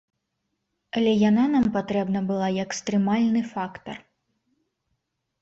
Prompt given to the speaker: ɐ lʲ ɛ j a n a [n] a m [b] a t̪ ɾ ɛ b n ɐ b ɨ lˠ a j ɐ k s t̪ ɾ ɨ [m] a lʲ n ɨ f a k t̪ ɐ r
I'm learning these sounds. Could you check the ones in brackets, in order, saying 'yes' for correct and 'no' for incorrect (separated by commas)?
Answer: yes, no, yes